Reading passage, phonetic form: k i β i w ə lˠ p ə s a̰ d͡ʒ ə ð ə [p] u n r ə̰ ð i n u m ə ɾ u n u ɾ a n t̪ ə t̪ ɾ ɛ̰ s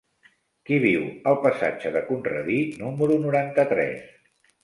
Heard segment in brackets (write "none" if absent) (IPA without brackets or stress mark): k